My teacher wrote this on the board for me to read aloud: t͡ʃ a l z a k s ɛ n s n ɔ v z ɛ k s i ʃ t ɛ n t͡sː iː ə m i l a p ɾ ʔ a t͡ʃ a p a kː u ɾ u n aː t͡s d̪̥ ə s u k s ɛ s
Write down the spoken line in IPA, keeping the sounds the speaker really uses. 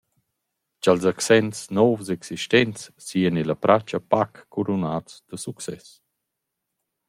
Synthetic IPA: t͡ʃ a l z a k s ɛ n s n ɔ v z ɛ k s i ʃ t ɛ n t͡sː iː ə n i l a p ɾ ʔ a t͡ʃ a p a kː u ɾ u n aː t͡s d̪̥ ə s u k s ɛ s